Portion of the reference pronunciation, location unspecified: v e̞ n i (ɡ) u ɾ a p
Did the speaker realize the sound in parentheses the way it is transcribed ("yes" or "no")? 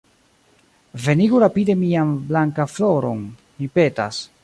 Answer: yes